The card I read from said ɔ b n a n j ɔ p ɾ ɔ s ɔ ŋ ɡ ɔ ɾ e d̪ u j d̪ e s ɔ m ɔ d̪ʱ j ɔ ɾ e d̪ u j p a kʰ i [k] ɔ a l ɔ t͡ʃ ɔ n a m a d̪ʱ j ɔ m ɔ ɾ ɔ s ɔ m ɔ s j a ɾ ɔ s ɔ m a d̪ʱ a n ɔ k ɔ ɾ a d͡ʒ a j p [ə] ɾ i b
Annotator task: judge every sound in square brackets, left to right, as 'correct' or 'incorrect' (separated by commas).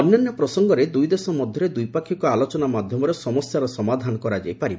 correct, incorrect